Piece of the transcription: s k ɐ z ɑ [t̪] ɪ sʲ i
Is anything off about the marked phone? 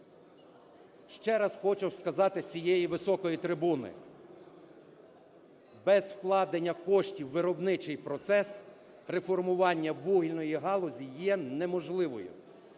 no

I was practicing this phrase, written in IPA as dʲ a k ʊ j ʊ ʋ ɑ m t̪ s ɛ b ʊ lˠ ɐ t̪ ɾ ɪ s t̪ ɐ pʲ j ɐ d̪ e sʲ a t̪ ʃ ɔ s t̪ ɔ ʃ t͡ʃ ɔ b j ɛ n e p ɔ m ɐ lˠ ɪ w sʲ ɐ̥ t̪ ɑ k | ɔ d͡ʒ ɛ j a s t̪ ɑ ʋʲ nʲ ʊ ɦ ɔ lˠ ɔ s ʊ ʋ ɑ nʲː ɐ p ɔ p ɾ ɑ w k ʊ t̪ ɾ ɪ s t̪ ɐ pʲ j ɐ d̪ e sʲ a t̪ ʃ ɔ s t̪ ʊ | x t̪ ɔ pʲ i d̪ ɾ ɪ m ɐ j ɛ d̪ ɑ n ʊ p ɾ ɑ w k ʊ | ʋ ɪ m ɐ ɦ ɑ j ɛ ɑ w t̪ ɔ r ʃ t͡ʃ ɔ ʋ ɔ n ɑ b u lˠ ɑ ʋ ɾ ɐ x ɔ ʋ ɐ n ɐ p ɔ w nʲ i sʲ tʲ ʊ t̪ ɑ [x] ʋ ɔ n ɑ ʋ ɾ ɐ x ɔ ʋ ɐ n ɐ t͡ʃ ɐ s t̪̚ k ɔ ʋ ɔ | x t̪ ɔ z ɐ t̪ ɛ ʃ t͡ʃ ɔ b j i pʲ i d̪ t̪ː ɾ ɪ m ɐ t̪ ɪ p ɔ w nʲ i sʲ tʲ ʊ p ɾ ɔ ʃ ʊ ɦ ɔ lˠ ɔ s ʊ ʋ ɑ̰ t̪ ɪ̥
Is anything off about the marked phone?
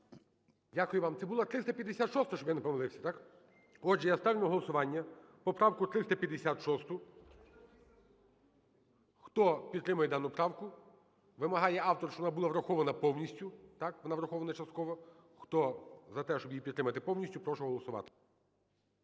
yes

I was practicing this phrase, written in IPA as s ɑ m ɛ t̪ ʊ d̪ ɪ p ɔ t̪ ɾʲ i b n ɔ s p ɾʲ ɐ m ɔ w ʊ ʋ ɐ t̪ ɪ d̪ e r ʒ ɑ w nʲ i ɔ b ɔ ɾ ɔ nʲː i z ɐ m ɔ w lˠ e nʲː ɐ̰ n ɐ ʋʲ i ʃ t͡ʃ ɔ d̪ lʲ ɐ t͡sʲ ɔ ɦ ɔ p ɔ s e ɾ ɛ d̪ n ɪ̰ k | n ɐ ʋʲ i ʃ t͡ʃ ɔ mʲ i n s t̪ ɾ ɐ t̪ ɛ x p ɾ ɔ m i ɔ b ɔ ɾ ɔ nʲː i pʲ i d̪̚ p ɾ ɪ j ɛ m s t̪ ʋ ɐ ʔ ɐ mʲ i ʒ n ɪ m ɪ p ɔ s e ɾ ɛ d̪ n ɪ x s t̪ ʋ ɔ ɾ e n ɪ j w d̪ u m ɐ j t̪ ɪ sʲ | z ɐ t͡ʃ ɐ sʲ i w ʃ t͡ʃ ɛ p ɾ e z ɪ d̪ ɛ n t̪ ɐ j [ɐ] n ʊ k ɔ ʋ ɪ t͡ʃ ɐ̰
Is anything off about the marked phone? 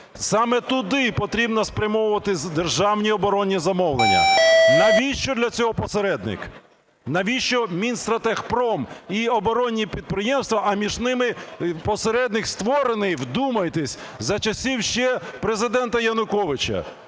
no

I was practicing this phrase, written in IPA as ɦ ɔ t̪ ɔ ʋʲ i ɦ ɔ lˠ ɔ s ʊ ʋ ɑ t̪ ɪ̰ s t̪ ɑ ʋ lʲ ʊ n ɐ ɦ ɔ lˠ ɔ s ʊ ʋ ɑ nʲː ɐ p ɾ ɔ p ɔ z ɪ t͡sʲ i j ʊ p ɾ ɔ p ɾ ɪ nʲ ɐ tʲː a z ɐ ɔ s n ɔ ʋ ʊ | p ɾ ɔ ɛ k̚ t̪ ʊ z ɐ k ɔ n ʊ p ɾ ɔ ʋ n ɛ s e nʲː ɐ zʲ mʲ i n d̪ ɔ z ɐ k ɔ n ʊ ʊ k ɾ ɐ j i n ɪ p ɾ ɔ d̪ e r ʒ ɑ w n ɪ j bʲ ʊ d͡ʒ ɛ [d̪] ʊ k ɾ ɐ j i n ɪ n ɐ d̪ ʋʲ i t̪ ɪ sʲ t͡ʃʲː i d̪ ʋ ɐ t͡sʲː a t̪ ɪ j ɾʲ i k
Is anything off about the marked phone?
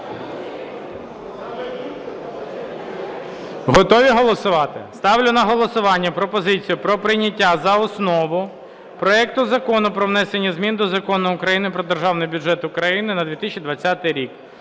yes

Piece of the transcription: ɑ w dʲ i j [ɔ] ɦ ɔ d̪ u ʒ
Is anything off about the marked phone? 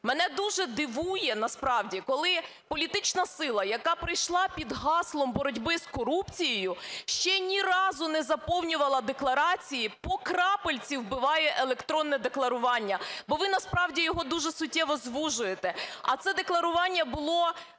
no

